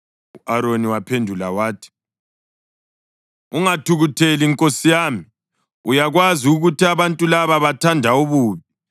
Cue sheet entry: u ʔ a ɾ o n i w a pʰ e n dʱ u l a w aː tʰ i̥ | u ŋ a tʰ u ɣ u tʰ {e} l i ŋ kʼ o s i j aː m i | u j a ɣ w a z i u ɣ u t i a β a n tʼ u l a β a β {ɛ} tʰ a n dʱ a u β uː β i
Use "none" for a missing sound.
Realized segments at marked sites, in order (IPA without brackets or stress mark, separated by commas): e, a